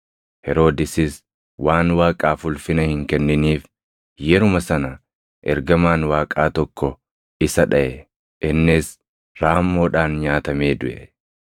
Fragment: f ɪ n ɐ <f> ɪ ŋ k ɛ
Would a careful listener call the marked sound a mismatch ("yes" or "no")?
yes